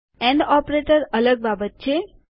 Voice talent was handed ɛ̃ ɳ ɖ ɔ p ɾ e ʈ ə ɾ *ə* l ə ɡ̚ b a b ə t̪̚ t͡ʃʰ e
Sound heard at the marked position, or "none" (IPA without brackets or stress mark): ə